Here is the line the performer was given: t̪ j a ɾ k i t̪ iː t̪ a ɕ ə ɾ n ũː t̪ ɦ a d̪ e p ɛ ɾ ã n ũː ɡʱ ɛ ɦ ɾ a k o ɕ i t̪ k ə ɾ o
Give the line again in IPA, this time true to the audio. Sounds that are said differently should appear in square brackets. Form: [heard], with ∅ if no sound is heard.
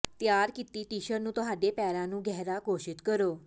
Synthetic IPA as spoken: t̪ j a ɾ k i t̪ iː t̪ [i] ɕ ə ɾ n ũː t̪ ɦ a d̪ e p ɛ ɾ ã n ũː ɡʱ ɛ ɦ ɾ a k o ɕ i t̪ k ə ɾ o